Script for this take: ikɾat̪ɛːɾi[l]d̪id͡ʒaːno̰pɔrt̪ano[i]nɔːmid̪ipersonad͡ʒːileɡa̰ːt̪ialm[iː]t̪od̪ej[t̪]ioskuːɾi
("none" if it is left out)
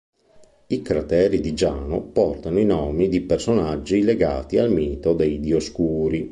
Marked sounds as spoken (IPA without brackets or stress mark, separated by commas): none, i, iː, d̪